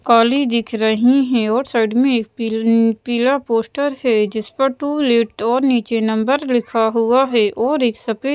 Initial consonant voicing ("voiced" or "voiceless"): voiceless